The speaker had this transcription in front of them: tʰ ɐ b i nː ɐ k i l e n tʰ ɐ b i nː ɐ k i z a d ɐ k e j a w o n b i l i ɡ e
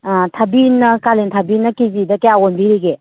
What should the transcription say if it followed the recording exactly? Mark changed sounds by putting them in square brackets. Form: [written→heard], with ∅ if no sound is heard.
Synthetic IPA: tʰ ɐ b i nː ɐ k [i→a] l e n tʰ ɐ b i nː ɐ k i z [a→i] d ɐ k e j a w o n b i [l→ɾ] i ɡ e